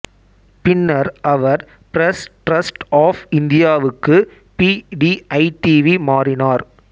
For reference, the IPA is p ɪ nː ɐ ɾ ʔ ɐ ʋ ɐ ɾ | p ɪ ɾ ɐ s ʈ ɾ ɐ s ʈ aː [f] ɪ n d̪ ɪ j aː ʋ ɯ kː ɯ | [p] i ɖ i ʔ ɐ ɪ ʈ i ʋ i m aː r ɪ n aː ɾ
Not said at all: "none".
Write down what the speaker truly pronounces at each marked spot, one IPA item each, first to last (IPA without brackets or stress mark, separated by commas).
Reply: f, p